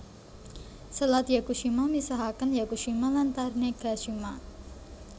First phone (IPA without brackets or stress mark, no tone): s